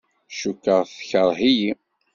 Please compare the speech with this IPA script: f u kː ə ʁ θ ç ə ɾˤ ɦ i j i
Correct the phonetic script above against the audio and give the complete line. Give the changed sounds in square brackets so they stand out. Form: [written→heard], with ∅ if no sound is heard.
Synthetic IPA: [f→ʃ] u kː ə ʁ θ ç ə ɾˤ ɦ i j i